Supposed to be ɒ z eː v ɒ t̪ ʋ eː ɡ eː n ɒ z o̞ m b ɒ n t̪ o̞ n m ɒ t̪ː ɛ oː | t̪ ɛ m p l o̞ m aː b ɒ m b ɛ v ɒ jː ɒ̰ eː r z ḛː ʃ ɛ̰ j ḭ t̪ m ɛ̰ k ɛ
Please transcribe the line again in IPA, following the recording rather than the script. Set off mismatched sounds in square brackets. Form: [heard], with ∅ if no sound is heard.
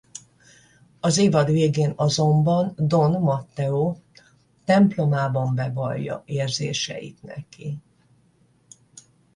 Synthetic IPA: ɒ z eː v ɒ [d̪] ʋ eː ɡ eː n ɒ z o̞ m b ɒ n [d̪] o̞ n m ɒ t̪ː ɛ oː | t̪ ɛ m p l o̞ m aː b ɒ m b ɛ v ɒ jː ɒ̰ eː r z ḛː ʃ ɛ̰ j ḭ t̪ [n] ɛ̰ k [i]